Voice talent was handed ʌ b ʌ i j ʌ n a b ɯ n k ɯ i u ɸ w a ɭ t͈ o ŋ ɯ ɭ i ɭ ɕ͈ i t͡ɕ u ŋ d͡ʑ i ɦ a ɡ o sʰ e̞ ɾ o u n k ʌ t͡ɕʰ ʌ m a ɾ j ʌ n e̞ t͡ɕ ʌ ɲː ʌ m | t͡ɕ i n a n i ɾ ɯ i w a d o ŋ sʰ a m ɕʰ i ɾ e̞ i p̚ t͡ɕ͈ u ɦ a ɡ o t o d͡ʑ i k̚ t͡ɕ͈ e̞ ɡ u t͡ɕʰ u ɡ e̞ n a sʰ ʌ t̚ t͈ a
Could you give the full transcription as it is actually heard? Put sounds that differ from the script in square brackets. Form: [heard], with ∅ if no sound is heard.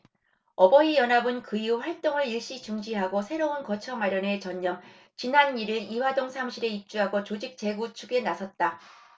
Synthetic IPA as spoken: ʌ b ʌ i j ʌ n a b ɯ n k ɯ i u ɸ w a ɭ t͈ o ŋ ɯ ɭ i ɭ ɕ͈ i t͡ɕ u ŋ d͡ʑ i ɦ a ɡ o sʰ e̞ ɾ o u n k ʌ t͡ɕʰ ʌ m a ɾ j ʌ n e̞ t͡ɕ ʌ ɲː ʌ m | t͡ɕ i n a n i ɾ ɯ i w a d o ŋ sʰ a m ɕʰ i ɾ e̞ i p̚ t͡ɕ͈ u ɦ a ɡ o [t͡ɕ] o d͡ʑ i k̚ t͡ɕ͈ e̞ ɡ u t͡ɕʰ u ɡ e̞ n a sʰ ʌ t̚ t͈ a